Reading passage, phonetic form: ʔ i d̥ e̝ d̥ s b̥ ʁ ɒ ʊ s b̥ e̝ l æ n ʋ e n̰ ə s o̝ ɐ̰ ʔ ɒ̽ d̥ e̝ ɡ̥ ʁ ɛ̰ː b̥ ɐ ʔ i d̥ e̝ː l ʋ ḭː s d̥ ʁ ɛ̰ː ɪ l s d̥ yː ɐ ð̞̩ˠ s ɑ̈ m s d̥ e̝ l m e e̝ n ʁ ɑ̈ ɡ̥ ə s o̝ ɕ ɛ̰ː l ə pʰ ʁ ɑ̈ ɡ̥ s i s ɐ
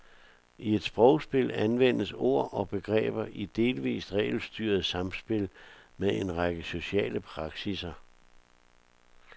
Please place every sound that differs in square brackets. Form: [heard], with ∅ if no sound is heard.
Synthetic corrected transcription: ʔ i [∅] e̝ d̥ s b̥ ʁ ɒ ʊ s b̥ e̝ l æ n ʋ e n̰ ə s o̝ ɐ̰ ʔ ɒ̽ [b̥] e̝ ɡ̥ ʁ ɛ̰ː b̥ ɐ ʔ i d̥ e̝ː l ʋ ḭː s d̥ ʁ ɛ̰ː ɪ l s d̥ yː ɐ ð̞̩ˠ s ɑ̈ m s [b̥] e̝ l m e e̝ n ʁ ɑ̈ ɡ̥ ə s o̝ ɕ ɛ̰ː l ə pʰ ʁ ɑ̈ ɡ̥ s i s ɐ